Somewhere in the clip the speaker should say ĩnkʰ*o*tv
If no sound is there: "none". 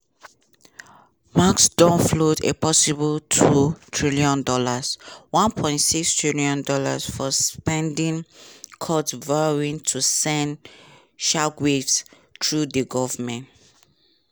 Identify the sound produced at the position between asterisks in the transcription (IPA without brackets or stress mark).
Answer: ɔ